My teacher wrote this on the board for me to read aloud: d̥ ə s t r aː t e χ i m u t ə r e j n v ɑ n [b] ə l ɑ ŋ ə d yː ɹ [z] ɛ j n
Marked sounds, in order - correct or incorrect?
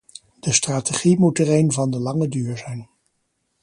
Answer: incorrect, correct

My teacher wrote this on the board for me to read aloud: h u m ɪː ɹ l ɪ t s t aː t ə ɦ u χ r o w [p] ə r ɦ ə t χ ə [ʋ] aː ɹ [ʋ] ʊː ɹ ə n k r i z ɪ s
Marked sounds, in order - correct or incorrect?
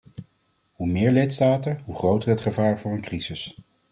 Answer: incorrect, incorrect, incorrect

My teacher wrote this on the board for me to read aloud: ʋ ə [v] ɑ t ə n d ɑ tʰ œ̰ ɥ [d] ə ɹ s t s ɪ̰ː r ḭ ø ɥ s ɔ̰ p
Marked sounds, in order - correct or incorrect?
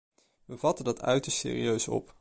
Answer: correct, incorrect

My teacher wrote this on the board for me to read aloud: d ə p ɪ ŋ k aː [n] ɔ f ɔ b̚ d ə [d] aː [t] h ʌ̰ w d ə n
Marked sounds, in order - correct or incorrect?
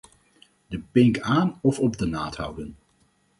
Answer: correct, incorrect, correct

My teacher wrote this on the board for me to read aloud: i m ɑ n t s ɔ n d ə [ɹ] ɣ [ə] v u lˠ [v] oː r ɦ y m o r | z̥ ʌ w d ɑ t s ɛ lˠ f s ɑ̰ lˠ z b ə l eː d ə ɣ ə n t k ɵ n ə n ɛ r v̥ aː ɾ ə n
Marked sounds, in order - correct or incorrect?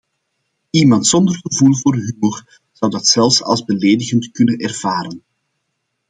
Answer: incorrect, correct, correct

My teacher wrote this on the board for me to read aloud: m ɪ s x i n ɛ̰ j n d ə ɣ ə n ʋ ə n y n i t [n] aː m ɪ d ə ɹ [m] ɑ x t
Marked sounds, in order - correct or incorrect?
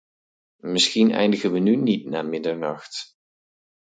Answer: correct, incorrect

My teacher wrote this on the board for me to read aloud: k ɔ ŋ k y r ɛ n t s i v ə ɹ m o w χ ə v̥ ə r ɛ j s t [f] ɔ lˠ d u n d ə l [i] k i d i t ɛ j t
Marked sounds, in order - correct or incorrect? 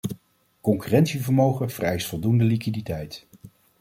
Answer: correct, correct

